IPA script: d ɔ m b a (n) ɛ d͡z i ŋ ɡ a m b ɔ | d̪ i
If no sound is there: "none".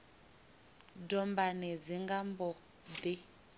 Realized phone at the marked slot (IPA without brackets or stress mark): n